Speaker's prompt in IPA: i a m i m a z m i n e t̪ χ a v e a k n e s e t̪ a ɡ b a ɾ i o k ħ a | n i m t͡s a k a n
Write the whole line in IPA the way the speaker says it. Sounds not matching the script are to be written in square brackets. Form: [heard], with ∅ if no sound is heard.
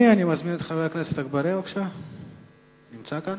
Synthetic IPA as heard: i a [n] i m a z m i n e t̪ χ a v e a k n e s e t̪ a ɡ b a ɾ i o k [ʃ] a | n i m t͡s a k a n